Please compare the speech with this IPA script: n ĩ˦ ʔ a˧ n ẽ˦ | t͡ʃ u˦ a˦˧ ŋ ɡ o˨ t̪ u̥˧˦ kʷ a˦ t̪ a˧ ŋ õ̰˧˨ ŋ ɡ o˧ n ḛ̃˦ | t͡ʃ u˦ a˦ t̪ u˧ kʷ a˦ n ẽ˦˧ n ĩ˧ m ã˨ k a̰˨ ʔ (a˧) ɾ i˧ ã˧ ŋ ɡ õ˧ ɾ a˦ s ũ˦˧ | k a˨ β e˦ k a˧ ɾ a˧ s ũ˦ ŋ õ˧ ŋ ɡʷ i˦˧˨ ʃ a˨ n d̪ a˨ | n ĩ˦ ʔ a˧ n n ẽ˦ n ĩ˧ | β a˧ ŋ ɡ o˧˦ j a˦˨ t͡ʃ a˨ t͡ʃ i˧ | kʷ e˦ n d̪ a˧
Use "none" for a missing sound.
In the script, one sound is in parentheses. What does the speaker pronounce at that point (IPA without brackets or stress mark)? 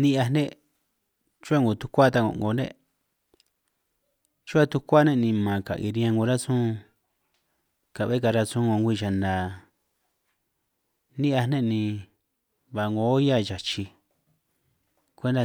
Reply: i˧